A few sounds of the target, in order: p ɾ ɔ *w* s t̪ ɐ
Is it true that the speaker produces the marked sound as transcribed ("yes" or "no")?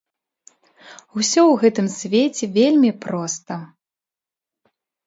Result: no